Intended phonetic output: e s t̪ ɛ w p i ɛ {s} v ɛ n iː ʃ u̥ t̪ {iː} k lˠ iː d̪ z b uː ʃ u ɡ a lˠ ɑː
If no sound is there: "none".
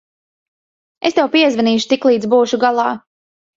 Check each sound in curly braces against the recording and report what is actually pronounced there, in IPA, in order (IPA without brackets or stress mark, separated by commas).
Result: z, i